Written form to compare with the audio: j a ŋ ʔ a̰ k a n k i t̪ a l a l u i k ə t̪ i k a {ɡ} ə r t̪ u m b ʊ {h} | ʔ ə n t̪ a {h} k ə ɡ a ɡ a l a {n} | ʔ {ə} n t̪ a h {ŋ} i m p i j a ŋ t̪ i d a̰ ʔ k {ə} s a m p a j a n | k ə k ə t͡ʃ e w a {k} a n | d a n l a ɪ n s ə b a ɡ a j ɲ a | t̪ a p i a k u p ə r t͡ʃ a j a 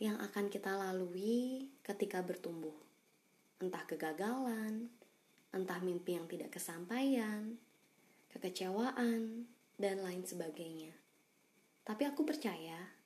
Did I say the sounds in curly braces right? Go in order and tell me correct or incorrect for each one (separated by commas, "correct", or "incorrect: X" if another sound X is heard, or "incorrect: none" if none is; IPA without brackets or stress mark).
incorrect: b, correct, correct, correct, correct, incorrect: m, correct, incorrect: ʔ